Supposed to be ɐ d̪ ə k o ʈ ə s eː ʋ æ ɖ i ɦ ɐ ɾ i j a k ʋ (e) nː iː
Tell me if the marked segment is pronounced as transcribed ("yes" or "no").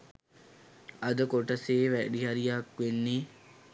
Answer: yes